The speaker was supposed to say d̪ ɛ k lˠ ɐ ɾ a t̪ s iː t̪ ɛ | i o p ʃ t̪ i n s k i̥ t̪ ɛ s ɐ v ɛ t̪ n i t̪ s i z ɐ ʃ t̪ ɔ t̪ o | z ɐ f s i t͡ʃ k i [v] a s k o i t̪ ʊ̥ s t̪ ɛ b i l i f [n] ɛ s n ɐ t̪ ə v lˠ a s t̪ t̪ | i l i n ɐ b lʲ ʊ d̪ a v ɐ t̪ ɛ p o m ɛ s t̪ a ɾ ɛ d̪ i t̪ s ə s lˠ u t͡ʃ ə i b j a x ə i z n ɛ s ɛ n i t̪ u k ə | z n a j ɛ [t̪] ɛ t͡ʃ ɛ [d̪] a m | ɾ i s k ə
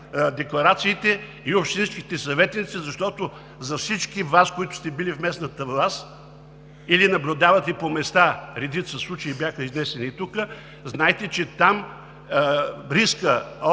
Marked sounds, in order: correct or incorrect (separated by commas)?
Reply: correct, incorrect, correct, incorrect